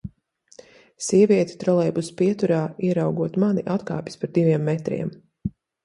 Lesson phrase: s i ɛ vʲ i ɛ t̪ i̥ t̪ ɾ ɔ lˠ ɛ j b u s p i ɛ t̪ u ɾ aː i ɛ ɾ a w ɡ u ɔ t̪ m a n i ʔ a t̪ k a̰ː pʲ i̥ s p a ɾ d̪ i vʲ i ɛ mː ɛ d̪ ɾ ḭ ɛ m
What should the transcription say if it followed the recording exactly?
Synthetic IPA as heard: s i ɛ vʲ i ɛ t̪ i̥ t̪ ɾ ɔ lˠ ɛ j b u s p i ɛ t̪ u ɾ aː i ɛ ɾ a w ɡ u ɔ t̪ m a n i ʔ a t̪ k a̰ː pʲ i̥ s p a ɾ d̪ i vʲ i ɛ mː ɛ t̪ ɾ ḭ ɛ m